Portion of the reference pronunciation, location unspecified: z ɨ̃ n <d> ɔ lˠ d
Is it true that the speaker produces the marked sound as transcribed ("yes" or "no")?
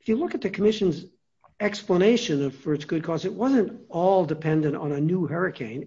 no